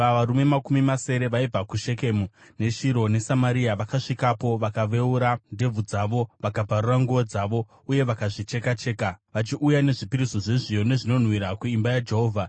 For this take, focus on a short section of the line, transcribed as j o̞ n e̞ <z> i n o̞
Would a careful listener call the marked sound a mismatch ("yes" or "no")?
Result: yes